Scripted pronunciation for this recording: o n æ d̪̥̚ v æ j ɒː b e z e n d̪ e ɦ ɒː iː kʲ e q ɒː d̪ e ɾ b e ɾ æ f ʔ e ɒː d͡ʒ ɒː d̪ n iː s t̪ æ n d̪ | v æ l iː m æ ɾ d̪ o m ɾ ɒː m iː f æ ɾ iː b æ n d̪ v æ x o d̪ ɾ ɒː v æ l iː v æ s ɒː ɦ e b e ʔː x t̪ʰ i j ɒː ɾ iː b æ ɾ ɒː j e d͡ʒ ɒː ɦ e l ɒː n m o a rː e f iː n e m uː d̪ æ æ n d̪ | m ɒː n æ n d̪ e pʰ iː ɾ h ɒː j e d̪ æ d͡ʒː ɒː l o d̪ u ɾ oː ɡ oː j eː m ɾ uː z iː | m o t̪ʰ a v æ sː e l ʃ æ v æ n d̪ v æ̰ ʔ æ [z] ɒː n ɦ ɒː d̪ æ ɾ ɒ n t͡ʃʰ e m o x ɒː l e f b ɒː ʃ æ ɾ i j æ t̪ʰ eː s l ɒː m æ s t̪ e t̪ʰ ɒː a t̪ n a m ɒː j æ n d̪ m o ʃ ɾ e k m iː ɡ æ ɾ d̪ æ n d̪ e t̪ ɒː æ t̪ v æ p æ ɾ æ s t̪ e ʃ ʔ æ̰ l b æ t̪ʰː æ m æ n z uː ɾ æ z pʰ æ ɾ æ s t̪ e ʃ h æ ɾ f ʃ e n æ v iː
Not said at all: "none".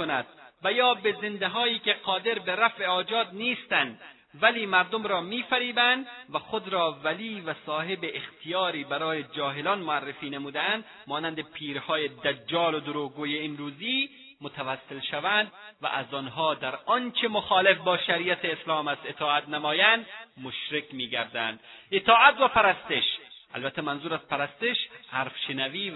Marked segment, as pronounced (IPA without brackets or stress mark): z